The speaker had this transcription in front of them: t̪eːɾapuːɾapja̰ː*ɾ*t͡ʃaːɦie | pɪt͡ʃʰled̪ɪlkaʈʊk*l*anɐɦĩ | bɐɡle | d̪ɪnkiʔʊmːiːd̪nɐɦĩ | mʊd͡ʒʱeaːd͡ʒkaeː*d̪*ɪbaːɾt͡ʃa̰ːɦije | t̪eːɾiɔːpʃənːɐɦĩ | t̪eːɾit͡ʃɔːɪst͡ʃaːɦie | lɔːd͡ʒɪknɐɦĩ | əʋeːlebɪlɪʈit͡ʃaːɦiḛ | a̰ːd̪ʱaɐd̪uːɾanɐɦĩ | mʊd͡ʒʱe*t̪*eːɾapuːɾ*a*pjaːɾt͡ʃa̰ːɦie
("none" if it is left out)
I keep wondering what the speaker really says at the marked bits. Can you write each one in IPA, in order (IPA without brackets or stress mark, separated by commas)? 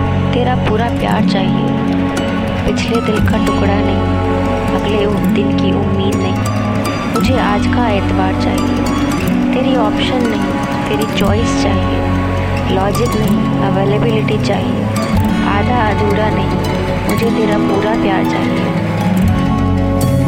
ɾ, ɽ, t̪, t̪, a